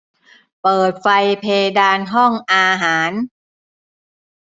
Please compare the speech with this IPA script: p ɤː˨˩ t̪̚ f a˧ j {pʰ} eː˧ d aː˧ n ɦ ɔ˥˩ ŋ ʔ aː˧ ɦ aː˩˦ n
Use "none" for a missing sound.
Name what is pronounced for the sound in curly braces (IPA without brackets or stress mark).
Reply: pʰ